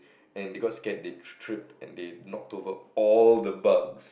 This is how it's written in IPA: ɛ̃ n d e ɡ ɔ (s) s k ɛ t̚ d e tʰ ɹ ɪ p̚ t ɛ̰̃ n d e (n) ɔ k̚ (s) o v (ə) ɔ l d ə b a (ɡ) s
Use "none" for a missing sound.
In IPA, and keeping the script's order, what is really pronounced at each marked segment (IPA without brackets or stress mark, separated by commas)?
t, n, t, ə, ɡ